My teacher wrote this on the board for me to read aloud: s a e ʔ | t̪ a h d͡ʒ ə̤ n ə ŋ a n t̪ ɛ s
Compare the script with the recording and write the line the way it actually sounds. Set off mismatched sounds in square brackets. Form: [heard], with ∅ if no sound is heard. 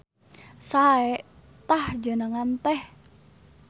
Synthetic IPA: s a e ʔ | t̪ a h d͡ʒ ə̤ n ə ŋ a n t̪ ɛ [h]